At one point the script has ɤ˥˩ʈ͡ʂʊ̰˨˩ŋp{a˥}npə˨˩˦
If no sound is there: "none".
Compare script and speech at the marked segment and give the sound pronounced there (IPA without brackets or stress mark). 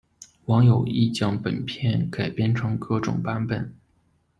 a˥